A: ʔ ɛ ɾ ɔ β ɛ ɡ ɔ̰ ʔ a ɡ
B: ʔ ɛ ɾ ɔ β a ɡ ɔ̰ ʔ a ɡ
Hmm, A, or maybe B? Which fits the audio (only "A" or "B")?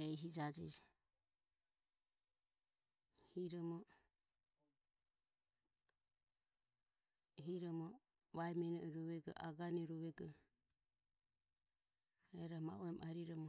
A